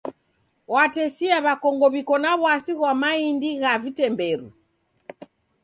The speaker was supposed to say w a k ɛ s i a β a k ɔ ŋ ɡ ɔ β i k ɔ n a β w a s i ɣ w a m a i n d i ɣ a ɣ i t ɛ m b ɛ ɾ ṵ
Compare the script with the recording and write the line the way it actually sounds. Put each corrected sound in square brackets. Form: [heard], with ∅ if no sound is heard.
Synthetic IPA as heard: w a [t] ɛ s i a β a k ɔ ŋ ɡ ɔ β i k ɔ n a β w a s i ɣ w a m a i n d i ɣ a [v] i t ɛ m b ɛ ɾ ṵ